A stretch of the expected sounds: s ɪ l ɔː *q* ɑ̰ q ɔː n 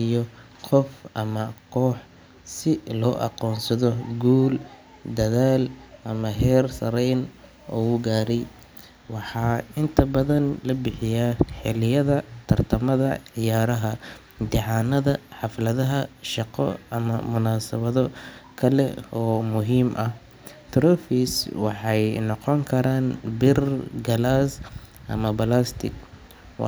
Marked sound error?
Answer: yes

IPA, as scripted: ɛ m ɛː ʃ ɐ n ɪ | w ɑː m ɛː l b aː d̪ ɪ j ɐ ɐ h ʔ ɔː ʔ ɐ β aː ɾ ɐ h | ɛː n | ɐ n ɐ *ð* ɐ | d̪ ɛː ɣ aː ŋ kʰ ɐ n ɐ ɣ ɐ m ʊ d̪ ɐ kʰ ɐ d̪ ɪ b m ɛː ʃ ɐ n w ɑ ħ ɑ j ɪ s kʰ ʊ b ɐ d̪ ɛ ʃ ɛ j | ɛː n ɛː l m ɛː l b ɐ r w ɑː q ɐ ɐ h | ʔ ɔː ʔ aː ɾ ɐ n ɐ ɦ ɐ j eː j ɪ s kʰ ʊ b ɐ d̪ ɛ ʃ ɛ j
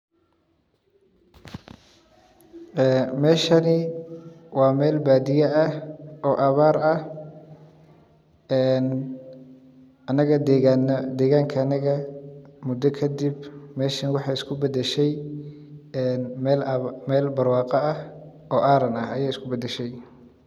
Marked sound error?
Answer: yes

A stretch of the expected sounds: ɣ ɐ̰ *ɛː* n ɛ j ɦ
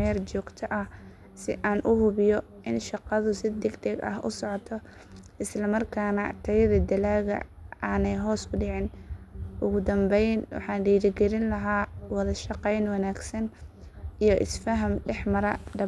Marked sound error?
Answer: yes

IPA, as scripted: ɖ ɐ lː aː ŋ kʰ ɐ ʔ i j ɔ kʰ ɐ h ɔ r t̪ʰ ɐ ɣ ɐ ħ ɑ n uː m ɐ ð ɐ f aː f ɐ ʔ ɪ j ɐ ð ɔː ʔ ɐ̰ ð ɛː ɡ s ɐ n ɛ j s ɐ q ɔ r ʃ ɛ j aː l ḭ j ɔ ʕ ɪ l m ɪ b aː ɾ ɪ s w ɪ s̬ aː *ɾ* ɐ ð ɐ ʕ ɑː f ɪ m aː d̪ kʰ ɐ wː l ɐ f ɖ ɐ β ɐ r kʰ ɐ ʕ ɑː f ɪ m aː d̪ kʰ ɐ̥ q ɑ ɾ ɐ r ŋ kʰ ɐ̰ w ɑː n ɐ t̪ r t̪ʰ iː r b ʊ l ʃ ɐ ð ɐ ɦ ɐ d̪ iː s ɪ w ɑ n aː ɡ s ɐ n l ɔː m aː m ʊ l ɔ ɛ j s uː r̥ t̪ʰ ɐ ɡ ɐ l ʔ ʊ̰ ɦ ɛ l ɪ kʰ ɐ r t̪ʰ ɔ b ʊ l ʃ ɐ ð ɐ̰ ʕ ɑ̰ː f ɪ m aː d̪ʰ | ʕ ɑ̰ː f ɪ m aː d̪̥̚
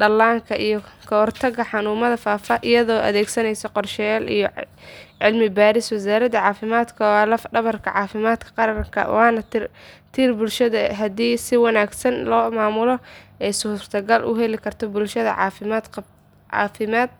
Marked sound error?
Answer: no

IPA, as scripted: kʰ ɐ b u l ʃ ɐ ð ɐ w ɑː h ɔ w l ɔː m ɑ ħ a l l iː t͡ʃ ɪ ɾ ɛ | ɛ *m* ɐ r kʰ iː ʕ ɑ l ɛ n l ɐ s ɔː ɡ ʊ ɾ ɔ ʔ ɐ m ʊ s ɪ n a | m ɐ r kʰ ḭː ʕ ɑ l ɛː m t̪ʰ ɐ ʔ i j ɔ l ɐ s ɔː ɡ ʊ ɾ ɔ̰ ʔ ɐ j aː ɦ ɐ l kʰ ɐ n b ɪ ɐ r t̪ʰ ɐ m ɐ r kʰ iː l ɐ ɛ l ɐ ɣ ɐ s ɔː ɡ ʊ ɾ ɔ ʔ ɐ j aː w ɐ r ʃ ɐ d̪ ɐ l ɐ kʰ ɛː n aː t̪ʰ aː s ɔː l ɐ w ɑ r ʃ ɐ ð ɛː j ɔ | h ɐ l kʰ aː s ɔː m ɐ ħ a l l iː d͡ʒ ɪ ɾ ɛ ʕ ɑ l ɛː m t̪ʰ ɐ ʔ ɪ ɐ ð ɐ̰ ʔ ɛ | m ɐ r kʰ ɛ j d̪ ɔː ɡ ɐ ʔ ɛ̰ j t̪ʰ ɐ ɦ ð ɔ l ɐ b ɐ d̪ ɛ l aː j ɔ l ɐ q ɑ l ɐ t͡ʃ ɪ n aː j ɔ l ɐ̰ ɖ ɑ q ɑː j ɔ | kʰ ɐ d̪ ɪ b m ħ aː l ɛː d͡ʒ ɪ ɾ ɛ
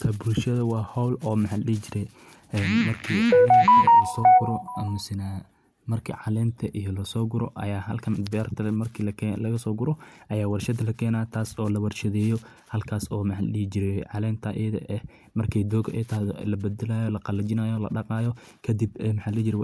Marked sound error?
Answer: no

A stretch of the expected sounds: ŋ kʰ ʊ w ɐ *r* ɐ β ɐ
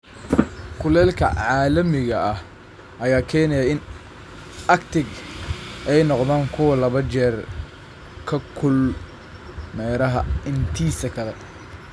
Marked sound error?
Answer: yes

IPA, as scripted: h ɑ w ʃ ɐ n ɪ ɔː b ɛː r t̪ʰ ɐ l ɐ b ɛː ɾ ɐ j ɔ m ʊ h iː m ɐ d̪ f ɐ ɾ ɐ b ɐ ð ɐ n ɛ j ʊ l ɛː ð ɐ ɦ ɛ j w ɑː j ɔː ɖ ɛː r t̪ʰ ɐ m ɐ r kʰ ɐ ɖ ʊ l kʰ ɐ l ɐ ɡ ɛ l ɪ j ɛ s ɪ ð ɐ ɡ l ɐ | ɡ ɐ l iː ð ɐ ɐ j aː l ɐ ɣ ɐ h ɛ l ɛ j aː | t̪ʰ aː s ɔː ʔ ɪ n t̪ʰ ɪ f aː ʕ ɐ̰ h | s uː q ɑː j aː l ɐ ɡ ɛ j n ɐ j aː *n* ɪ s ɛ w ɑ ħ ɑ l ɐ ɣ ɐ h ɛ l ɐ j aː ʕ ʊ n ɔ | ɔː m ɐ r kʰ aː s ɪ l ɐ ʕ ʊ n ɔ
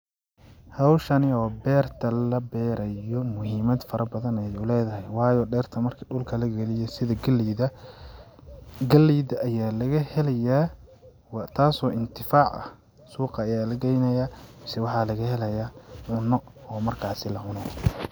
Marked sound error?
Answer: yes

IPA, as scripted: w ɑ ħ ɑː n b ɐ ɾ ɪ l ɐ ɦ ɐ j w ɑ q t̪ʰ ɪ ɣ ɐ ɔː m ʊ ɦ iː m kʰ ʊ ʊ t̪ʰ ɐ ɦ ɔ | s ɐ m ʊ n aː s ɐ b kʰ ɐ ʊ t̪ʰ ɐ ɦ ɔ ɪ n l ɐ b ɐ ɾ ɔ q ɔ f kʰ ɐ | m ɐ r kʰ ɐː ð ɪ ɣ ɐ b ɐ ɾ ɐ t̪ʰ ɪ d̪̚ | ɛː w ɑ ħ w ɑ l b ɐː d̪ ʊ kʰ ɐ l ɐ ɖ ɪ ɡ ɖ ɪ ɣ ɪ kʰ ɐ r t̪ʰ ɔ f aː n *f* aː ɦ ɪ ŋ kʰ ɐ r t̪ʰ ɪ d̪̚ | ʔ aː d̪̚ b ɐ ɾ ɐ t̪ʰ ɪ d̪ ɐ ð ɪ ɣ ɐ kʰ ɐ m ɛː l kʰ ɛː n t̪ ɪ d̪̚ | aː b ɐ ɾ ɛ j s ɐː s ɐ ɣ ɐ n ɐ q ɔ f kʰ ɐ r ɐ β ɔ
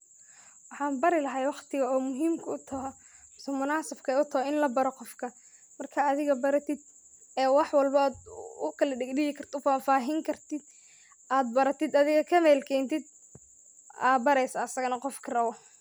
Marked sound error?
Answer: no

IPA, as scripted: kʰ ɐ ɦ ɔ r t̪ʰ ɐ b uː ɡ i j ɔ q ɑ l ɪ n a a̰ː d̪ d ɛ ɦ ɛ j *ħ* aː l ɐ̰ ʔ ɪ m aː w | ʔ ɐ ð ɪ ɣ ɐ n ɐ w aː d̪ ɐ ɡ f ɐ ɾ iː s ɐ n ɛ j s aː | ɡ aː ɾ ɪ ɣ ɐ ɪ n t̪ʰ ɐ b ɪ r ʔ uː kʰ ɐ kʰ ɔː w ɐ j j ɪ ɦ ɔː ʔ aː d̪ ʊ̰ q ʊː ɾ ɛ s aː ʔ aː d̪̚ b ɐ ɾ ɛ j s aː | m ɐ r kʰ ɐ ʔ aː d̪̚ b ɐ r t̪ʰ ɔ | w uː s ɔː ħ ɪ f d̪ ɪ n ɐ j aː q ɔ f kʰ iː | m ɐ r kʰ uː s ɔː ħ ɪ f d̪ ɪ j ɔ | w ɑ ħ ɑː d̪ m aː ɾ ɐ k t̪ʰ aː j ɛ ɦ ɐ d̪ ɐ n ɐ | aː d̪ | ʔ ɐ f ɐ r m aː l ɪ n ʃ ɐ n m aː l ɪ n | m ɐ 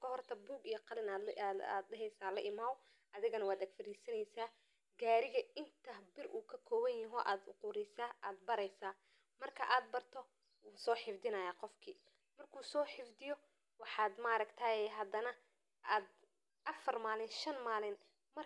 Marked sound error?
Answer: yes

